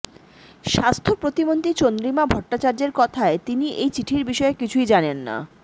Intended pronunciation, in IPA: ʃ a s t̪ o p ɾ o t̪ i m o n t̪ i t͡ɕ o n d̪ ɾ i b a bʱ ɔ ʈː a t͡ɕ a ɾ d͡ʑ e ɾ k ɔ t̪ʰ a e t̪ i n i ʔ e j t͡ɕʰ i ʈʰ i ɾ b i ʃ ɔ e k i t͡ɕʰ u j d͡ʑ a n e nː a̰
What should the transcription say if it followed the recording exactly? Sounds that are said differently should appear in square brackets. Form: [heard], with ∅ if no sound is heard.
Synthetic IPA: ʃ a s [t̪ʰ] o p ɾ o t̪ i m o n t̪ i t͡ɕ o n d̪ ɾ i [m] a bʱ ɔ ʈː a t͡ɕ a ɾ d͡ʑ e ɾ k ɔ t̪ʰ a e t̪ i n i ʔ e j [t͡ɕ] i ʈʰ i ɾ b i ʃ ɔ e k i t͡ɕʰ u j d͡ʑ a n e nː a̰